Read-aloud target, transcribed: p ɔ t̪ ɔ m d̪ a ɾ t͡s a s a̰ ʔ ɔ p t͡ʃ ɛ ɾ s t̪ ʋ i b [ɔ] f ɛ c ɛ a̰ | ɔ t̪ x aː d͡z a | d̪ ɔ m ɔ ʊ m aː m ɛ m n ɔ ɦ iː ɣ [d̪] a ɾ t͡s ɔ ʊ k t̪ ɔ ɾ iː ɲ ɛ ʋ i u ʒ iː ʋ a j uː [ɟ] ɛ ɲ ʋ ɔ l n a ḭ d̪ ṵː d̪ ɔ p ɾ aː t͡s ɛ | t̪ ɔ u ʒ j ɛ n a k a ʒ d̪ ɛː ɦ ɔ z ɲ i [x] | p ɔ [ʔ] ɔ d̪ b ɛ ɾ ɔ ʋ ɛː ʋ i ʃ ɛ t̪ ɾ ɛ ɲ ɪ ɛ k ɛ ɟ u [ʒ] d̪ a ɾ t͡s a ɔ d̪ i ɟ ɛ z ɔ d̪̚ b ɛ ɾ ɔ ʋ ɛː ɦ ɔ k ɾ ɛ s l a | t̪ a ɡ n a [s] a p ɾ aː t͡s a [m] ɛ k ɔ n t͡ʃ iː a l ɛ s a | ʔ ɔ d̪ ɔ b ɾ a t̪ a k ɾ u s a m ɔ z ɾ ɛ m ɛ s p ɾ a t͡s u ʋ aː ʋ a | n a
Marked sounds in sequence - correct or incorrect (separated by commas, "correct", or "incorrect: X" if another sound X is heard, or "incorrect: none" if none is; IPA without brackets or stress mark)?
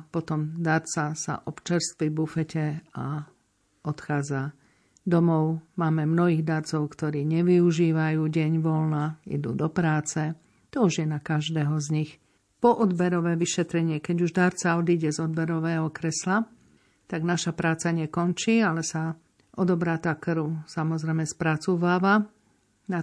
incorrect: u, correct, correct, correct, correct, correct, incorrect: ʃ, incorrect: ɲ